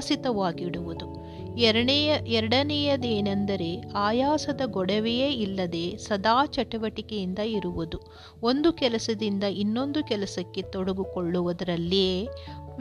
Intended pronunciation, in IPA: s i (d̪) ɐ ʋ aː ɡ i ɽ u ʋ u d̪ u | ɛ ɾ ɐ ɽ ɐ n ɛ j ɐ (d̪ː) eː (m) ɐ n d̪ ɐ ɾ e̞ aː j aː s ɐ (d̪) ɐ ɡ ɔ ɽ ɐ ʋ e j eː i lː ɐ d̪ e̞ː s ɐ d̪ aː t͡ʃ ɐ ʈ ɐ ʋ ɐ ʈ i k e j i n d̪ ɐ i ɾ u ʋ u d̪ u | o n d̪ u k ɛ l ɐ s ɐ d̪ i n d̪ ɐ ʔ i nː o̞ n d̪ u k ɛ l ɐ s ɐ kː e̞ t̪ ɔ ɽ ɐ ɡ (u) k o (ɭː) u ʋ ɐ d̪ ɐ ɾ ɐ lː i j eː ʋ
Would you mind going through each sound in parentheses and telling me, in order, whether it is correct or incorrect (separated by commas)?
incorrect, incorrect, incorrect, correct, correct, correct